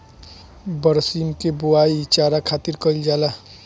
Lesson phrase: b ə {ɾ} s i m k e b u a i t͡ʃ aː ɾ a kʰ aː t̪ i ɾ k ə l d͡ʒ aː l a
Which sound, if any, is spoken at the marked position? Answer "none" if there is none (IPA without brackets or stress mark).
ɾ